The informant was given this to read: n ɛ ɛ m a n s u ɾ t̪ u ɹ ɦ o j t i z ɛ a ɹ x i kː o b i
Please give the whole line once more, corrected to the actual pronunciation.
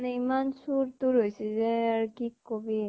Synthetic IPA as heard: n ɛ i m a n s u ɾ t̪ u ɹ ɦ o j s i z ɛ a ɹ k i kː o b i